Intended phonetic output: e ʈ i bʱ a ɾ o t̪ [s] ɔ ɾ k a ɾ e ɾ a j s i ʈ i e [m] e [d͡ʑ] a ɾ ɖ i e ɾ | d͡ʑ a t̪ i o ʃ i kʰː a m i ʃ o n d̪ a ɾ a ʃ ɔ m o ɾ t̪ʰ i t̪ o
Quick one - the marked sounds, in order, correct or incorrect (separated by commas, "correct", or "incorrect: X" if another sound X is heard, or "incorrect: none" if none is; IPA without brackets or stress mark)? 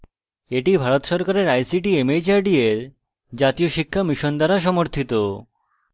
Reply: incorrect: ʃ, correct, correct